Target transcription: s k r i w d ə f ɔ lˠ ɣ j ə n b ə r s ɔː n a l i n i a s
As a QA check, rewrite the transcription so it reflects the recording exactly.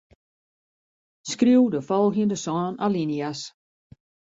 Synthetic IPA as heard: s k r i w d ə f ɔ lˠ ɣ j ə n d ə s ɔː n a l i n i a s